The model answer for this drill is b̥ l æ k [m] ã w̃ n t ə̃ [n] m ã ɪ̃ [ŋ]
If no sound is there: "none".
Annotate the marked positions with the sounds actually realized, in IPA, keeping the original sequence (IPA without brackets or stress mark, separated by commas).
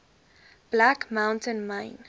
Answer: m, n, n